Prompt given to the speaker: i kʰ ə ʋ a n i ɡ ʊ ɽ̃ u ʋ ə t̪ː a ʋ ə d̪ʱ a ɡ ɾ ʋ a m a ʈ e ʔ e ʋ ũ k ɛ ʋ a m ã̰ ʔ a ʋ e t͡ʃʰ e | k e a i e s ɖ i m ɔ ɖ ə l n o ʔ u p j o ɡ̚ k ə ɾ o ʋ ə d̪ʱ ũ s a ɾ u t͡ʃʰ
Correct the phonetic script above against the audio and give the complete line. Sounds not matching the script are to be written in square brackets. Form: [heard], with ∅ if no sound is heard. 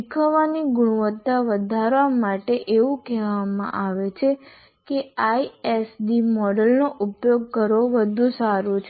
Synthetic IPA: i kʰ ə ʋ a n i ɡ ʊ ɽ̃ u ʋ ə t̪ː a ʋ ə d̪ʱ a [∅] ɾ ʋ a m a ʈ e ʔ e ʋ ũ k ɛ ʋ a m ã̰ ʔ a ʋ e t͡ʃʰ e | k e a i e s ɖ i m ɔ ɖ ə l n o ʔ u p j o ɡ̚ k ə ɾ o ʋ ə d̪ʱ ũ s a ɾ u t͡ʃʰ